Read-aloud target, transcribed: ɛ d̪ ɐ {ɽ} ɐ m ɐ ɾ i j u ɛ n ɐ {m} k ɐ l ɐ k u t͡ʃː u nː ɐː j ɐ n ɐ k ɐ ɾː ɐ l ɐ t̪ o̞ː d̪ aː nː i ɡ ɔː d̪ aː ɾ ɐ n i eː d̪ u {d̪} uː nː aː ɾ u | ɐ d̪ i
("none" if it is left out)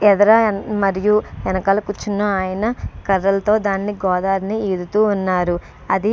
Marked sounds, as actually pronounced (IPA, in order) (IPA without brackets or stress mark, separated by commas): ɾ, none, t̪